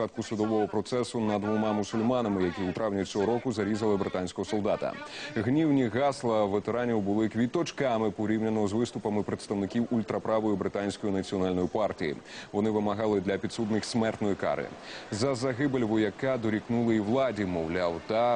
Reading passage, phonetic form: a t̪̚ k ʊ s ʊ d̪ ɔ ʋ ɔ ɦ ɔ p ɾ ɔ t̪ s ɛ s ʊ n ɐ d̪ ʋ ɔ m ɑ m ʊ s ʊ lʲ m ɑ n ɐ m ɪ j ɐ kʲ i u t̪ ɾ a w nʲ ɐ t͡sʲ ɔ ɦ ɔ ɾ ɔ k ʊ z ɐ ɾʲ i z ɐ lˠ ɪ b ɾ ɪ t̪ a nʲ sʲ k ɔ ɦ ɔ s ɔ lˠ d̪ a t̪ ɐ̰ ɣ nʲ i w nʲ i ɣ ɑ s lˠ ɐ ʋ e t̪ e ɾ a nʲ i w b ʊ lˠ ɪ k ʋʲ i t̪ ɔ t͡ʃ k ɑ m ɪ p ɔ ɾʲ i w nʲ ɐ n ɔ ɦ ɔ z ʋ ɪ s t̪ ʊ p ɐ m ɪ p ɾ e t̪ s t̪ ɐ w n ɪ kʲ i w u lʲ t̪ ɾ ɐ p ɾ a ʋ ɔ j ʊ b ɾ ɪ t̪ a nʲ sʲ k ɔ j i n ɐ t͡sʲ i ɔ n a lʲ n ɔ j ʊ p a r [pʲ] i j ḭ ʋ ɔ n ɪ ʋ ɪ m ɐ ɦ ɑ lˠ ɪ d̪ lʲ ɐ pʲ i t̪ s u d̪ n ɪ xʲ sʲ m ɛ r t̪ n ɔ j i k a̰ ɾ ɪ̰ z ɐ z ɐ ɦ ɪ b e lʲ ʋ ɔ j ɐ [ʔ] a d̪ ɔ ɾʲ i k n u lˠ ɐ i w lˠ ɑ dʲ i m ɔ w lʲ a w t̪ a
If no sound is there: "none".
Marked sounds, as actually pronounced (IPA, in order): tʲ, k

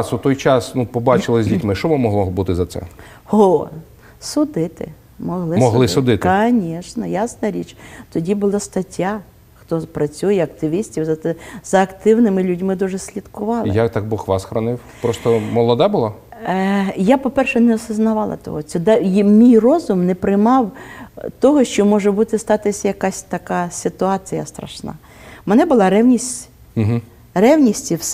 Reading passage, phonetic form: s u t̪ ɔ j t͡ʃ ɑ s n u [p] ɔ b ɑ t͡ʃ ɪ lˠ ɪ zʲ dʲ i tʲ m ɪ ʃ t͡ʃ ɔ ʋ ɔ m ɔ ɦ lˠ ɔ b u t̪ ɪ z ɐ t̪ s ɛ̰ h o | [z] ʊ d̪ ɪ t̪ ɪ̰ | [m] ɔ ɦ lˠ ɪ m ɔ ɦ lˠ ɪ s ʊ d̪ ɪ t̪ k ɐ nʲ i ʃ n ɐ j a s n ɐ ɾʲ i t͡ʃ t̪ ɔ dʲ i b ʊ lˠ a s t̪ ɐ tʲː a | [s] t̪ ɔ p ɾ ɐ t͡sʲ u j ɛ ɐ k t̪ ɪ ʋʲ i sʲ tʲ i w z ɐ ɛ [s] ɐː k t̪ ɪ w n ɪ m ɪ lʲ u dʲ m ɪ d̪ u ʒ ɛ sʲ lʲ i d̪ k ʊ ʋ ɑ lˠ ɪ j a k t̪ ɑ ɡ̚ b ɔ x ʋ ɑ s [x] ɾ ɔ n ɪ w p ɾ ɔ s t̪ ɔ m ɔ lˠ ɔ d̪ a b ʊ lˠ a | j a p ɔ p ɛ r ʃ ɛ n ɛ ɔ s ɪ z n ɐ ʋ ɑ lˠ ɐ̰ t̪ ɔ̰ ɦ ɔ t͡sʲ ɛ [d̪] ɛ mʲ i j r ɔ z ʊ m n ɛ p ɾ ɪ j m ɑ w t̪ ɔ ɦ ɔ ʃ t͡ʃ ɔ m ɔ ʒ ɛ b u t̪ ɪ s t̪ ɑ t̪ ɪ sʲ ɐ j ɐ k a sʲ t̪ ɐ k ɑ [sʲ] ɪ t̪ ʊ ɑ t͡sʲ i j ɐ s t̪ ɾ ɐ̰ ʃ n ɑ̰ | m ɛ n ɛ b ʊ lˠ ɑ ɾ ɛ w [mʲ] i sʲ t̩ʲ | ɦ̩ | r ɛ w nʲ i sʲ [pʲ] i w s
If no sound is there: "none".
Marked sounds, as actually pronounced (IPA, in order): p, s, m, x, z, x, d̪, sʲ, nʲ, tʲ

